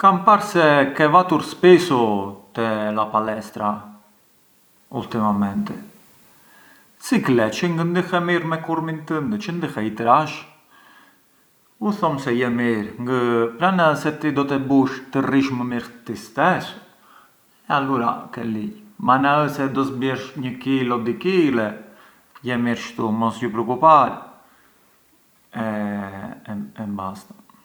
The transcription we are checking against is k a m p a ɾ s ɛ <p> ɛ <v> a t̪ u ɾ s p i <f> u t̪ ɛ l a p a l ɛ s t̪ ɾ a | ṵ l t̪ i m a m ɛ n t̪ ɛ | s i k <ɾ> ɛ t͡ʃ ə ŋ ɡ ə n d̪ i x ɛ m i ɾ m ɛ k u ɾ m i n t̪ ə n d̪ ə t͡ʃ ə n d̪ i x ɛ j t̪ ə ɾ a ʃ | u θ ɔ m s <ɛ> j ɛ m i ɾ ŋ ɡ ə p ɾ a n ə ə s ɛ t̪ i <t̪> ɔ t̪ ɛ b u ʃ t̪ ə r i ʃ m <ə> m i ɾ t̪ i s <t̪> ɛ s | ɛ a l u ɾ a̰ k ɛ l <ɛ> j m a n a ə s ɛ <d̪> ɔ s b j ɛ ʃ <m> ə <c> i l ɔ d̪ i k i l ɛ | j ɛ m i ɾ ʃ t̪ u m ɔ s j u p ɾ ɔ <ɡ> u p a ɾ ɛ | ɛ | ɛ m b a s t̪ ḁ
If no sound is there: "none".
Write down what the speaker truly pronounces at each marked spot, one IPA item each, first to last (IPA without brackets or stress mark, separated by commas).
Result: k, v, s, l, ɛ, d̪, ə, t̪, i, d̪, ɲ, k, k